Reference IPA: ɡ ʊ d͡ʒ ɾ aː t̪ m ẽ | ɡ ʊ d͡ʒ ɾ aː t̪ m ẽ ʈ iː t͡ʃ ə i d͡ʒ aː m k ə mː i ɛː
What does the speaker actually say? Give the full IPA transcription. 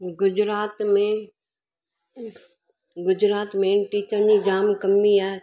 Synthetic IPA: ɡ ʊ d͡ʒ ɾ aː t̪ m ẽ | ɡ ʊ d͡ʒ ɾ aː t̪ m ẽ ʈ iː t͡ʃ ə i d͡ʒ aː m k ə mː i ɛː